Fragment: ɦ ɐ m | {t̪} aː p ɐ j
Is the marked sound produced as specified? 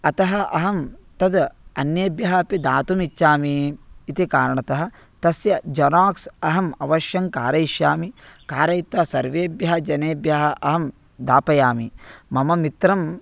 no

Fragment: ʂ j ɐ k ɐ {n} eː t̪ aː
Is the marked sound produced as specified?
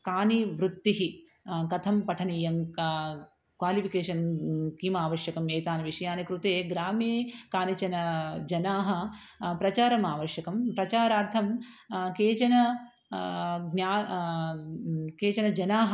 no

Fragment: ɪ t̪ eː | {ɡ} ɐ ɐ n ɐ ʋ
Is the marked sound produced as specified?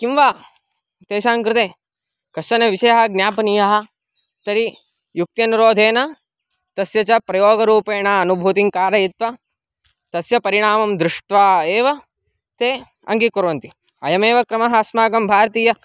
no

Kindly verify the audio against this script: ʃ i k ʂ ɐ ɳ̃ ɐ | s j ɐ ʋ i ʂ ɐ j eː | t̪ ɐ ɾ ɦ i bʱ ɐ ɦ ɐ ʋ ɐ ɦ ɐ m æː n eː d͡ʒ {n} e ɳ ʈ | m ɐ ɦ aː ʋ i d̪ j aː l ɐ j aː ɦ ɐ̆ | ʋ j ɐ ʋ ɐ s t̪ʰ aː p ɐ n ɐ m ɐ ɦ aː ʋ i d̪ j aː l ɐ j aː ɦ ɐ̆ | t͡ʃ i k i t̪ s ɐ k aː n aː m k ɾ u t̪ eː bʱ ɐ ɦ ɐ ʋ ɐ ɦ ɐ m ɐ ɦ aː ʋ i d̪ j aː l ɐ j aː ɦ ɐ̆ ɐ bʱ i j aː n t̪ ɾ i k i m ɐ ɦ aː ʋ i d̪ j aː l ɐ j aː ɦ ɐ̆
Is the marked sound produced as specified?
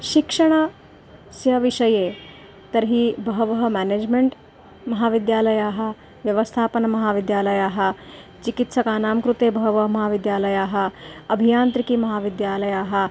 no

